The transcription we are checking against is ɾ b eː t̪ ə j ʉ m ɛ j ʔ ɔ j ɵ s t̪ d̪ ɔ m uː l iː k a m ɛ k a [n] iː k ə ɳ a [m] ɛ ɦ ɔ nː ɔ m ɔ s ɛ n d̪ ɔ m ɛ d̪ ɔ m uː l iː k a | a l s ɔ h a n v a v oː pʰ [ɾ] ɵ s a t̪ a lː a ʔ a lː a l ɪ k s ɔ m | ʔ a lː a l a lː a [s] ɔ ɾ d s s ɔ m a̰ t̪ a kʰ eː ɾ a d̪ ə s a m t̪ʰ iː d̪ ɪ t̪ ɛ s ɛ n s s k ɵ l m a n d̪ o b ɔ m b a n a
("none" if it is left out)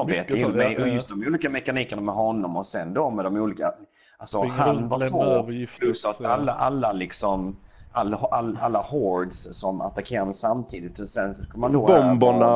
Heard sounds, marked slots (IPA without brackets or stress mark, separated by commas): n, m, l, h